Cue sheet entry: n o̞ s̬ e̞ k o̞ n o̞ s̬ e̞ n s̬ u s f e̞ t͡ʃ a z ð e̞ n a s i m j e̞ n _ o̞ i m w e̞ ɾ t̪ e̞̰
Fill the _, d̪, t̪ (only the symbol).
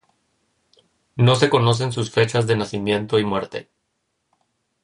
t̪